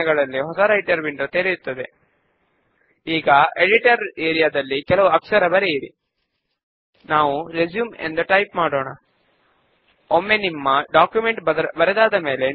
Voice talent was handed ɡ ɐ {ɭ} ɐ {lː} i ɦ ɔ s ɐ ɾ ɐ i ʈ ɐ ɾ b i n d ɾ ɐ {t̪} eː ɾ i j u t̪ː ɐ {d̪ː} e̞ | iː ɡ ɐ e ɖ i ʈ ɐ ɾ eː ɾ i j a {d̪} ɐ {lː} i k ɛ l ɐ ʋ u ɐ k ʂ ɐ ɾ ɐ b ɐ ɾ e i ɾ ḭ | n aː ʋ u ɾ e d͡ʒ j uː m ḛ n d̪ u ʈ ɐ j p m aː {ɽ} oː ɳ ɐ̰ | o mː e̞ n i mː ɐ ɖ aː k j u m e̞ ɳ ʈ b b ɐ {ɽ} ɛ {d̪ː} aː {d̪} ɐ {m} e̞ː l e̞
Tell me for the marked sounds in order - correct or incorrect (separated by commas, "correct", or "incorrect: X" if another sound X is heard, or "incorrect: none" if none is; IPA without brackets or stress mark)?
correct, correct, correct, incorrect: d̪, correct, correct, correct, incorrect: ɾ, incorrect: d̪, correct, correct